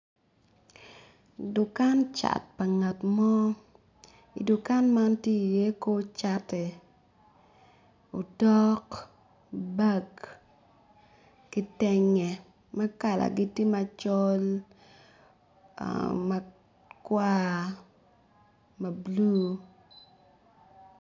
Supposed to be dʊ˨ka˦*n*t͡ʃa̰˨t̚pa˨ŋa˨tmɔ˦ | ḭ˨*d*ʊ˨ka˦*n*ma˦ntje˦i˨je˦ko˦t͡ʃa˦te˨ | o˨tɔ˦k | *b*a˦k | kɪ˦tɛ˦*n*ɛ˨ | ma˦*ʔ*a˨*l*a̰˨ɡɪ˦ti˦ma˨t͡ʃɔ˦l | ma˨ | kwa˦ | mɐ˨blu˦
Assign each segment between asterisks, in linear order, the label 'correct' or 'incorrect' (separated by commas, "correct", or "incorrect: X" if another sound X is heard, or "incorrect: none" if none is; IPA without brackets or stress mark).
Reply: correct, correct, correct, correct, incorrect: ŋ, incorrect: k, correct